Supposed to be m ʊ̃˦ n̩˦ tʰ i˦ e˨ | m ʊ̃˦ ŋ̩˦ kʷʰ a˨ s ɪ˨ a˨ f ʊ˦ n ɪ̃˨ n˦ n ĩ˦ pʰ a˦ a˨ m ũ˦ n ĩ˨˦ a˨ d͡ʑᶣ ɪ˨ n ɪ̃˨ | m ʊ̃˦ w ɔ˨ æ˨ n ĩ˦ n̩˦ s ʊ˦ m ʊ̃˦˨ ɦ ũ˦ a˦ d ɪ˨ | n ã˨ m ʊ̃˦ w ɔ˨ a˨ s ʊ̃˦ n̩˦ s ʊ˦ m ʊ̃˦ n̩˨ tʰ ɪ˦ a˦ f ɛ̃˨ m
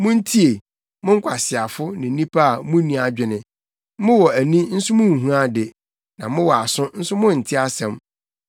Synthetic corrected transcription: m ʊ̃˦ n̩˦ tʰ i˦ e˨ | m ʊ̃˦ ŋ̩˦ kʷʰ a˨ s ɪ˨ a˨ f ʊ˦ n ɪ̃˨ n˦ n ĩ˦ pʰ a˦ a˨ m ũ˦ n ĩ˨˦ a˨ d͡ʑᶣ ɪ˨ n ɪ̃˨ | m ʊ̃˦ w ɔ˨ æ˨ n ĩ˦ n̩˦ s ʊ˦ m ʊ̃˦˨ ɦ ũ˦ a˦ d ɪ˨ | n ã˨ m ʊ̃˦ w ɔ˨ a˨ s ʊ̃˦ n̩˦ s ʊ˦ m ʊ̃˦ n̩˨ tʰ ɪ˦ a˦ s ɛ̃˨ m